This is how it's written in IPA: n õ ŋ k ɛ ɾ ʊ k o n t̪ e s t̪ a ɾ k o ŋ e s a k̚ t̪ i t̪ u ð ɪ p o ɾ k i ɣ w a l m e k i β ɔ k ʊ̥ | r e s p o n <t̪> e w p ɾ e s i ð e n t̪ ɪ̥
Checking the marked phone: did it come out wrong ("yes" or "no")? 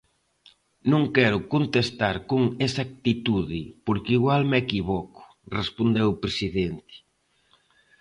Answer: yes